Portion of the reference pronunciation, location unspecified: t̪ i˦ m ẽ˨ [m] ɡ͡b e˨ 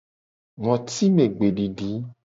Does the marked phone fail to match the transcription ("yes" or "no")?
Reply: yes